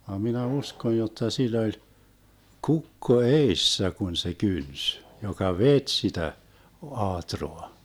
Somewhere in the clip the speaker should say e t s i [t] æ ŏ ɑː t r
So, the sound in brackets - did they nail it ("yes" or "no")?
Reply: yes